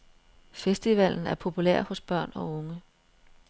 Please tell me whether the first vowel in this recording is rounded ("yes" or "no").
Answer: no